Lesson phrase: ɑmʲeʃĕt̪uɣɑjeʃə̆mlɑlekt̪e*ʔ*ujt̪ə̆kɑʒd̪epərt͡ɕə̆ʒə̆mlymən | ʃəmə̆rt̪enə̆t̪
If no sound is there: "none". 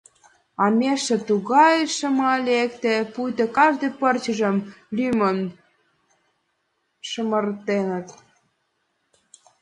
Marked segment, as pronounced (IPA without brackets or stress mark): p